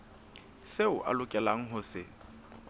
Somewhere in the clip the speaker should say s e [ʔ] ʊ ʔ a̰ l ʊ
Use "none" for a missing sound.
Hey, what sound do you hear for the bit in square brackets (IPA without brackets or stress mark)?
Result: none